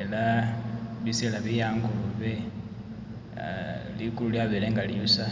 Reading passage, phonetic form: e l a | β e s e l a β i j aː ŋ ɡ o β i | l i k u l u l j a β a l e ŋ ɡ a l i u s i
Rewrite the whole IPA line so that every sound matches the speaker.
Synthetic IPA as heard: e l a | β i s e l a β i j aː ŋ ɡ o β e | l i k u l u l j a β e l e ŋ ɡ a l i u s a